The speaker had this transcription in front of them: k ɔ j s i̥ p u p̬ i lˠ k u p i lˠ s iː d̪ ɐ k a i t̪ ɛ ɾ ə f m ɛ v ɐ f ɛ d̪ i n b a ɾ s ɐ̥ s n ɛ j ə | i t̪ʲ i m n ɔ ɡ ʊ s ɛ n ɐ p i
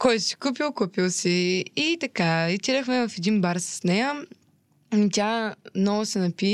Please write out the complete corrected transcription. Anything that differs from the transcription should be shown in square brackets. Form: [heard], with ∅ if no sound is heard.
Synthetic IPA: k ɔ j s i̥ [k] u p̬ i lˠ k u p i lˠ s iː [t̪] ɐ k a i t̪ [i] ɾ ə [x] m ɛ v ɐ f ɛ d̪ i n b a ɾ s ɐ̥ s n ɛ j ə | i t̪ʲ [a] m n ɔ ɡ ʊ s ɛ n ɐ p i